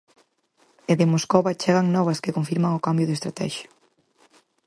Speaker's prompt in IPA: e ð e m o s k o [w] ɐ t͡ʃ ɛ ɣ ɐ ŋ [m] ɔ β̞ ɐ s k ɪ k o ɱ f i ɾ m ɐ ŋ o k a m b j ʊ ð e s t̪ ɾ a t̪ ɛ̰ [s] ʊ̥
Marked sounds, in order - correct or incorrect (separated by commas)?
incorrect, incorrect, incorrect